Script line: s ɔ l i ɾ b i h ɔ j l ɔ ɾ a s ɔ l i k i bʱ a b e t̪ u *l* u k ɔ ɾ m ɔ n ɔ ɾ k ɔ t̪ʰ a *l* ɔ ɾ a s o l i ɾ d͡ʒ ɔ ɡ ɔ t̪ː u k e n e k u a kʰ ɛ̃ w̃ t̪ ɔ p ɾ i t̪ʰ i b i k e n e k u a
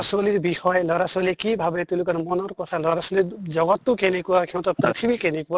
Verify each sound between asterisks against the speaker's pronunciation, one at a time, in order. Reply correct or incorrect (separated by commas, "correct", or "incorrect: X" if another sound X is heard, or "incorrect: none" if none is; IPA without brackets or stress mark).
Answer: correct, correct